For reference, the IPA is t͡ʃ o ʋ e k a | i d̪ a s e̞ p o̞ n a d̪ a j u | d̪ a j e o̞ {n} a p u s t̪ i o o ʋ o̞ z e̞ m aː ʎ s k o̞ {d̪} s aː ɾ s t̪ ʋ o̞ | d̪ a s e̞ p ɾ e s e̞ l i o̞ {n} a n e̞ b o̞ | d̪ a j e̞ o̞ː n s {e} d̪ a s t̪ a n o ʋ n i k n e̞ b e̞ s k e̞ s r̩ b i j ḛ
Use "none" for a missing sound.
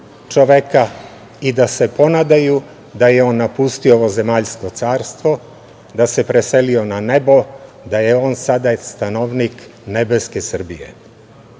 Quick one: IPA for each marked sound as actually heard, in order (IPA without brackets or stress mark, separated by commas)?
nː, t̪, n, a